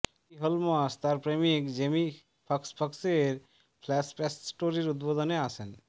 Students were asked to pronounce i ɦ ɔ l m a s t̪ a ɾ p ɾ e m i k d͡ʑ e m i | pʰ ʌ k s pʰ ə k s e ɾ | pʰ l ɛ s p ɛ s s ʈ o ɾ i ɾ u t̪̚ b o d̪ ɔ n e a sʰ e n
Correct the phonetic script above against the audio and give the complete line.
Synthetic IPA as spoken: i ɦ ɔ l m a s t̪ a ɾ p ɾ e m i k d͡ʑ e m i | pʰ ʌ k s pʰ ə k s e ɾ | pʰ l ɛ s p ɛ s s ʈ o ɾ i ɾ u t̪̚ b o d̪ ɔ n e a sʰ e n